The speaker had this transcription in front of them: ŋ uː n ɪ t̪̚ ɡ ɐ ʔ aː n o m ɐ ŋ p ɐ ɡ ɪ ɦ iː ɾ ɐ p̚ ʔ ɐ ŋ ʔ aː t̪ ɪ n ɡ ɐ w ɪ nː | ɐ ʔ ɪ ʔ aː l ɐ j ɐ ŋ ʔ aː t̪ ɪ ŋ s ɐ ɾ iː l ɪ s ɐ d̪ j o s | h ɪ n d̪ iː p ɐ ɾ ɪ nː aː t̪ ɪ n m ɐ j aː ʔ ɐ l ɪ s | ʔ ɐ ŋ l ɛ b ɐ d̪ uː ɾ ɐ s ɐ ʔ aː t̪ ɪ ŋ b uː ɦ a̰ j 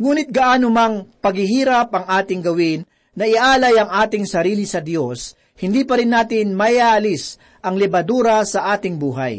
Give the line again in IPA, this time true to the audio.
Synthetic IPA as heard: ŋ uː n ɪ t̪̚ ɡ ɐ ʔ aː n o m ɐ ŋ p ɐ ɡ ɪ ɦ iː ɾ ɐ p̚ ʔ ɐ ŋ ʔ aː t̪ ɪ ŋ ɡ ɐ w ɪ nː | ɐ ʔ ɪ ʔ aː l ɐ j ɐ ŋ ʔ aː t̪ ɪ ŋ s ɐ ɾ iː l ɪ s ɐ d̪ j o s | h ɪ n d̪ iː p ɐ ɾ ɪ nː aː t̪ ɪ n m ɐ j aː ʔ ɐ l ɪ s | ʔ ɐ ŋ l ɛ b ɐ d̪ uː ɾ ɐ s ɐ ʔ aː t̪ ɪ ŋ b uː ɦ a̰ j